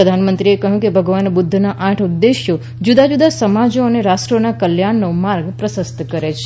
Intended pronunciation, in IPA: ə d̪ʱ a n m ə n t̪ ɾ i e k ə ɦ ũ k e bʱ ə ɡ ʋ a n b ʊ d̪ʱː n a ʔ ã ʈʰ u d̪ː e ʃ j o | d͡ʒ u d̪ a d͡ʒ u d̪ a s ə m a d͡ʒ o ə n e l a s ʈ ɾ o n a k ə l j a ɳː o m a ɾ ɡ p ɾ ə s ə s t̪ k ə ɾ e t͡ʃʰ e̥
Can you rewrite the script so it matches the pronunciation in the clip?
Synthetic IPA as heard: ə d̪ʱ a n m ə n t̪ ɾ i e k ə ɦ ũ k e bʱ ə ɡ ʋ a n b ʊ d̪ʱː n a ʔ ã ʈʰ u d̪ː e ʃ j o | d͡ʒ u d̪ a d͡ʒ u d̪ a s ə m a d͡ʒ o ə n e ɾ a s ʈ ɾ o n a k ə l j a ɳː o m a ɾ ɡ p ɾ ə s ə s t̪ k ə ɾ e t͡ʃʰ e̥